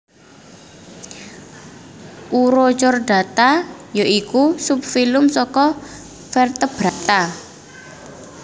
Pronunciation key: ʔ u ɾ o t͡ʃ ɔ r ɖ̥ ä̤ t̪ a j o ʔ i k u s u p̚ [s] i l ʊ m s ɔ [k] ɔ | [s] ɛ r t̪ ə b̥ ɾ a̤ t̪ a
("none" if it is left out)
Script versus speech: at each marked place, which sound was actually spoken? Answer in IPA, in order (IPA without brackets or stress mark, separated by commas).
f, k, f